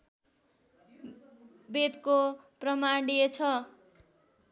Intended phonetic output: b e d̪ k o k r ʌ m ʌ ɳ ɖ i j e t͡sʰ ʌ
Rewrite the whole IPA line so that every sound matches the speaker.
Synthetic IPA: b e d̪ k o p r ʌ m a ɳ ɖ i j e t͡sʰ ʌ